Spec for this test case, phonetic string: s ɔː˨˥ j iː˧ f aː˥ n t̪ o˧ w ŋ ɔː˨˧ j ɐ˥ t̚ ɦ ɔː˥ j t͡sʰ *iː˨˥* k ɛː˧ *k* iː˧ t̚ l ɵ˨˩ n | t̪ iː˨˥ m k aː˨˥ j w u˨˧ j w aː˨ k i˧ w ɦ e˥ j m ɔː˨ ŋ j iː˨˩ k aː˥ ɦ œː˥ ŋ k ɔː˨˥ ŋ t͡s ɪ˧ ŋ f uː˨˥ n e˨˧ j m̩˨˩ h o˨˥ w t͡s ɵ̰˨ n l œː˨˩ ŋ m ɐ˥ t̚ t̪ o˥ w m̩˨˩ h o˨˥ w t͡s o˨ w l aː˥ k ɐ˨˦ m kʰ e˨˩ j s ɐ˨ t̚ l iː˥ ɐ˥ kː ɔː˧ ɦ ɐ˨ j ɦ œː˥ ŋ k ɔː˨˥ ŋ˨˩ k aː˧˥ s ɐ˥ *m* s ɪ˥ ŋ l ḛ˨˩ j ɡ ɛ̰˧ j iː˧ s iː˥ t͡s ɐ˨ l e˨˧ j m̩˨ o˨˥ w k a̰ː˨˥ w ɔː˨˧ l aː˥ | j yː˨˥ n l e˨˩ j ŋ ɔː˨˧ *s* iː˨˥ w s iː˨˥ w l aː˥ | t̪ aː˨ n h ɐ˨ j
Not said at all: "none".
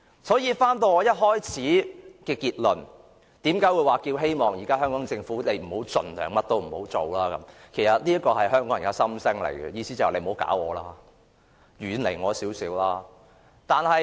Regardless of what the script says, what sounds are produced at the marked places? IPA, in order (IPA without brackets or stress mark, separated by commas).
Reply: iː˨˥, k, m, s